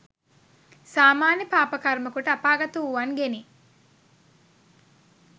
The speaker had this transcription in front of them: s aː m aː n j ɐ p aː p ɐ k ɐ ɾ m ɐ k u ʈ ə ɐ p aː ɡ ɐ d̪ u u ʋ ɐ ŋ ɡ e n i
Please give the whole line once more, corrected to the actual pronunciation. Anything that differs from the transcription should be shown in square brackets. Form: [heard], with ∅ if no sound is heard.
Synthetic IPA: s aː m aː n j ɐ p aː p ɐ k ɐ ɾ m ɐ k u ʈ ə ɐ p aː ɡ ɐ [t̪] u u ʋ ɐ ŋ ɡ e n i